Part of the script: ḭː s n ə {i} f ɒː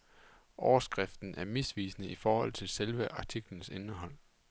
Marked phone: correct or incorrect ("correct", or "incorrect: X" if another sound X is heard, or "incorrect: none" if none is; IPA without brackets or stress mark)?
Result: correct